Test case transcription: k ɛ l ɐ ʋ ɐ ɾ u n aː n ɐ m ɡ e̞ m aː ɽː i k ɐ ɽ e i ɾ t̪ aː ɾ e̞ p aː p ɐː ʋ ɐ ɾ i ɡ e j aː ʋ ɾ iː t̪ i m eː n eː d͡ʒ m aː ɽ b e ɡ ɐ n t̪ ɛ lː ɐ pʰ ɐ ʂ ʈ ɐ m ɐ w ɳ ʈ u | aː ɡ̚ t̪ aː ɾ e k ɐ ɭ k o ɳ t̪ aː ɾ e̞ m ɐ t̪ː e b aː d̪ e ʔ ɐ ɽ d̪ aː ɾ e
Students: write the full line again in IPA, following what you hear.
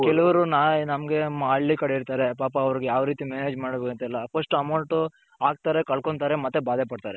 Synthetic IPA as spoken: k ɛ l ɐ ʋ ɐ ɾ u n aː n ɐ m ɡ e̞ m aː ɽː i k ɐ ɽ e i ɾ t̪ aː ɾ e̞ p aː p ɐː ʋ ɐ ɾ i ɡ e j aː ʋ ɾ iː t̪ i m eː n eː d͡ʒ m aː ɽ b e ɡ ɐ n t̪ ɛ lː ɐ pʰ ɐ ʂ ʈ ɐ m ɐ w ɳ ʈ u | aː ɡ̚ t̪ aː ɾ e k ɐ ɭ k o ɳ t̪ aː ɾ e̞ m ɐ t̪ː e b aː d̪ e p ɐ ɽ t̪ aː ɾ e